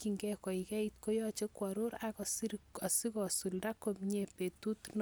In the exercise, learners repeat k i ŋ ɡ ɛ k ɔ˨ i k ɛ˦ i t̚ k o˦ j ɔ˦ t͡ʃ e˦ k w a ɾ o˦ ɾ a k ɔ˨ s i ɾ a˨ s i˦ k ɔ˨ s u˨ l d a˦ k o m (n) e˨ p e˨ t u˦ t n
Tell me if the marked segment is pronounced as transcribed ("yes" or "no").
no